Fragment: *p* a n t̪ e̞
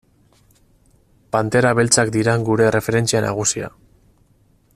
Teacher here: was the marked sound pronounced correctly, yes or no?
yes